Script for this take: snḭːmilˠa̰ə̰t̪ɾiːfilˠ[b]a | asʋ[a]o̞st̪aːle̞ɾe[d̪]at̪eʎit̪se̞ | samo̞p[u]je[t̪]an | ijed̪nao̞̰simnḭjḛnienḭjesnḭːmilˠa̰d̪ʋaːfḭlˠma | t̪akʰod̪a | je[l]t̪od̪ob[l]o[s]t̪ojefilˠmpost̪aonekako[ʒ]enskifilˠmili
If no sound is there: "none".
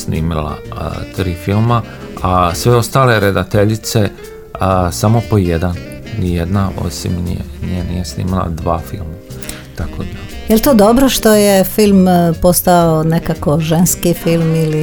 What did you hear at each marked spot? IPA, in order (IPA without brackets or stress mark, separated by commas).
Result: m, e, d̪, o, d̪, l, ɾ, ʃ, ʒ